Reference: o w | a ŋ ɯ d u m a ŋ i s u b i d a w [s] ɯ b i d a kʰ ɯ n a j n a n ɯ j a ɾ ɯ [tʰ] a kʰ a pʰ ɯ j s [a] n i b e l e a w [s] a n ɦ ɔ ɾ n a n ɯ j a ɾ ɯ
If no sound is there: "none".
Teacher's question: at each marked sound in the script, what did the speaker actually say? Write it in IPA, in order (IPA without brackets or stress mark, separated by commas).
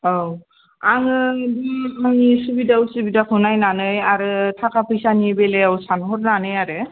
s, tʰ, a, s